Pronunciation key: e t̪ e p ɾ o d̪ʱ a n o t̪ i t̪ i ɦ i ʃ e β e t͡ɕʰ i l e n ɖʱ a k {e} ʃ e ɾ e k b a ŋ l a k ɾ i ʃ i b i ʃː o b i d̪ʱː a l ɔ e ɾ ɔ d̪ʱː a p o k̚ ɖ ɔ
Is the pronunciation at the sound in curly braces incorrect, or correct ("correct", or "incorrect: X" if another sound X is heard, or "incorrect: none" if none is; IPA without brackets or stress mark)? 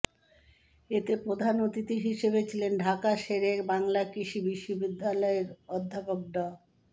incorrect: a